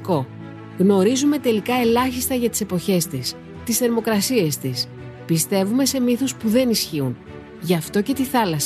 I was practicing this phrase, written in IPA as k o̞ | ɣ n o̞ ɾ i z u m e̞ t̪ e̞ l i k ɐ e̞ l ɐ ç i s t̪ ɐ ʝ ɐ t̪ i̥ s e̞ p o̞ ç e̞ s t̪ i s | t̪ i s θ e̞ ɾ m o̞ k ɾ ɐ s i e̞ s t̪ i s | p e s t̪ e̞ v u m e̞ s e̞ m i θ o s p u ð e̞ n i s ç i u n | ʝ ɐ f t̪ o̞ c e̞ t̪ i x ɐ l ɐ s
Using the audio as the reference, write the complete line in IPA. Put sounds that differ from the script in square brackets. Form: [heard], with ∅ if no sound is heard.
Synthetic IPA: k o̞ | ɣ n o̞ ɾ i z u m e̞ t̪ e̞ l i k ɐ e̞ l ɐ ç i s t̪ ɐ ʝ ɐ t̪ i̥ s e̞ p o̞ ç e̞ s t̪ i s | t̪ i s θ e̞ ɾ m o̞ k ɾ ɐ s i e̞ s t̪ i s | p [i] s t̪ e̞ v u m e̞ s e̞ m i θ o s p u ð e̞ n i s ç i u n | ʝ ɐ f t̪ o̞ c e̞ t̪ i [θ] ɐ l ɐ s